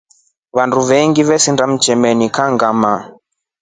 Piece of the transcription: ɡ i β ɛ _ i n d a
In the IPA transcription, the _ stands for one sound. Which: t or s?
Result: s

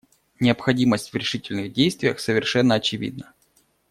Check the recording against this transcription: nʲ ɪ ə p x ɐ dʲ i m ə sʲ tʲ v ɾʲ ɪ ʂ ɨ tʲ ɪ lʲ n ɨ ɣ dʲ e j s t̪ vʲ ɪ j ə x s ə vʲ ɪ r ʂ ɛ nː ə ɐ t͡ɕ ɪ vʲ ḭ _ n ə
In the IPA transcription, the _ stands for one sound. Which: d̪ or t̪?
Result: d̪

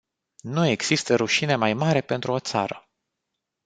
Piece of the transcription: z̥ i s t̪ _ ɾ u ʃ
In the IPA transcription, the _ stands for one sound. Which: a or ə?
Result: ə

